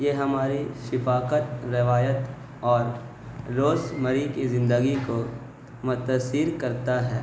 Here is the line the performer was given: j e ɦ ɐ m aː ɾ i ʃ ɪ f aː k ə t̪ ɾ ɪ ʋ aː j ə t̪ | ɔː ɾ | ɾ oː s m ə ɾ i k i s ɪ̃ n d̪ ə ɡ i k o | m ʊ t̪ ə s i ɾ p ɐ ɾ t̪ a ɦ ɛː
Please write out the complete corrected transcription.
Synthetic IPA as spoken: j e ɦ ɐ m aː ɾ i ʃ ɪ f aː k ə t̪ ɾ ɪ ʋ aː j ə t̪ | ɔː ɾ | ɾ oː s m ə ɾ i k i z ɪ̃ n d̪ ə ɡ i k o | m ʊ t̪ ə s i ɾ k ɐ ɾ t̪ a ɦ ɛː